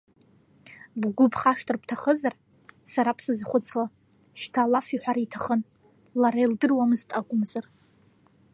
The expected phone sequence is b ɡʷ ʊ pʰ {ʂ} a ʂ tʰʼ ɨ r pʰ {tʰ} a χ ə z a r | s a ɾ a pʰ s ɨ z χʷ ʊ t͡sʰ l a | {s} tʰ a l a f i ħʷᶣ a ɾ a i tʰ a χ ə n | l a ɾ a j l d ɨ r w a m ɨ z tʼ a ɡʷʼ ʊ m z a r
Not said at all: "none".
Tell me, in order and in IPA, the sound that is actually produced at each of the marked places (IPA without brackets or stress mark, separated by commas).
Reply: χ, tʰ, ʃ